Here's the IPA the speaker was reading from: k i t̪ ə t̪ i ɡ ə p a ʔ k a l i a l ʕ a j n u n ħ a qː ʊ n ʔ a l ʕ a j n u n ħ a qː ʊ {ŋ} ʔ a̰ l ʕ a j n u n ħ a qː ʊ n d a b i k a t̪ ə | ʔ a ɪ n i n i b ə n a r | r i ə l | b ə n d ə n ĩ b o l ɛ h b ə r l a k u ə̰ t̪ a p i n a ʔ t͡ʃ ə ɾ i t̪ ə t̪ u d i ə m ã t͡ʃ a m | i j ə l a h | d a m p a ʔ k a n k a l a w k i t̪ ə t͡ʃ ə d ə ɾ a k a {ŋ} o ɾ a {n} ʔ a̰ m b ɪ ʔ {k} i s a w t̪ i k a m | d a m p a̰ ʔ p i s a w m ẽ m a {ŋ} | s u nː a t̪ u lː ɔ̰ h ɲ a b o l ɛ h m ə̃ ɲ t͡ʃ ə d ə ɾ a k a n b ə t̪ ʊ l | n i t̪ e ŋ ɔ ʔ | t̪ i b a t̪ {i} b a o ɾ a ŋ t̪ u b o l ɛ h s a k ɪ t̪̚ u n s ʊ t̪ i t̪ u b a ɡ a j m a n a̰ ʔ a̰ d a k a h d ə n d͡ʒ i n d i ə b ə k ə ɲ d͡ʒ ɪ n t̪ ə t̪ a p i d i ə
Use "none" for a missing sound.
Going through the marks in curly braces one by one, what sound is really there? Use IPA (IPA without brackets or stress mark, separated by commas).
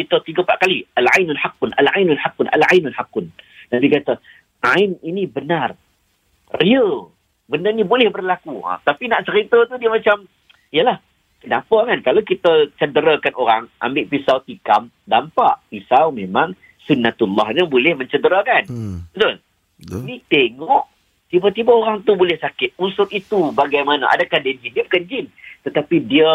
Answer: n, n, ŋ, p, ŋ, i